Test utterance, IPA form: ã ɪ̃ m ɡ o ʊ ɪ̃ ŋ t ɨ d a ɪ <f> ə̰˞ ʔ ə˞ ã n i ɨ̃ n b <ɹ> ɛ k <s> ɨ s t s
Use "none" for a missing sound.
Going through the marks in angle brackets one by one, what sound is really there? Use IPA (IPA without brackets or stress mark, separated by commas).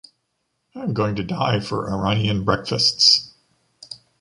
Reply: f, ɹ, f